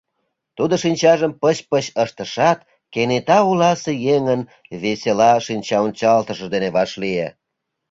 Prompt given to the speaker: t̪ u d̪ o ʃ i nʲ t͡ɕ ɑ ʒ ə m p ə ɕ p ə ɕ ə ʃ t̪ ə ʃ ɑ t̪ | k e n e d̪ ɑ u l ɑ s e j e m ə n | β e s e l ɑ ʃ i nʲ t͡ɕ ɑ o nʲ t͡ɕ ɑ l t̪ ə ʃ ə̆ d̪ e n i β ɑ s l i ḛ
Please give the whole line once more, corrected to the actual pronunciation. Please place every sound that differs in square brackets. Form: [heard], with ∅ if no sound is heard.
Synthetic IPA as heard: t̪ u d̪ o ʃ i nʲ t͡ɕ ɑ ʒ ə m p ə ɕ p ə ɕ ə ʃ t̪ ə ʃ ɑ t̪ | k e n e [t̪] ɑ u l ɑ s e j e [ŋ] ə n | β e s e l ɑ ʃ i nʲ t͡ɕ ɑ o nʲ t͡ɕ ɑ l t̪ ə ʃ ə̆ d̪ e n [e] β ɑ [ʃ] l i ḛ